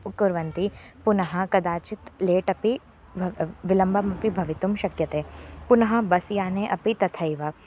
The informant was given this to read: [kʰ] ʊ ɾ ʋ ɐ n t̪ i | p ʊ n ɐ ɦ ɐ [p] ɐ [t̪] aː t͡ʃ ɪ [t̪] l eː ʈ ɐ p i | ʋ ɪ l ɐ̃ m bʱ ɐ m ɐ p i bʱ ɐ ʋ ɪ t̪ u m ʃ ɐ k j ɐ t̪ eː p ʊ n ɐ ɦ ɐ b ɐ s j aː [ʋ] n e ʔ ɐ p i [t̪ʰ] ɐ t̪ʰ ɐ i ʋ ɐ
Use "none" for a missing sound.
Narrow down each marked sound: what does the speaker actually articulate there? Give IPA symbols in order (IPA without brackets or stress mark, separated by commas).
k, k, d̪, t̪, none, t̪